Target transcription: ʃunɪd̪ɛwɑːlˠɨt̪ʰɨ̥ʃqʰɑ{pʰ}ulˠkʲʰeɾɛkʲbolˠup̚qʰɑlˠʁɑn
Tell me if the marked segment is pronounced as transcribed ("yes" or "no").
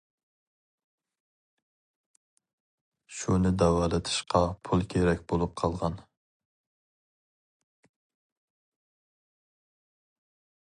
yes